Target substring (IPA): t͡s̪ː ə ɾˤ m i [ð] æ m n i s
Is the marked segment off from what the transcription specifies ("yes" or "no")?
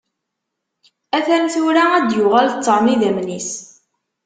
no